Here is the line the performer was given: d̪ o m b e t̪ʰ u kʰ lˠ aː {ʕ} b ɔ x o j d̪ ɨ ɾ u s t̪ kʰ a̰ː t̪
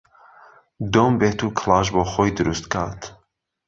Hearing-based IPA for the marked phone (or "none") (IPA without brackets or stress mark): ʒ